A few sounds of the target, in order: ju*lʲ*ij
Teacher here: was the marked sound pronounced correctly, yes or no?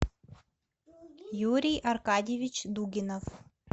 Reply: no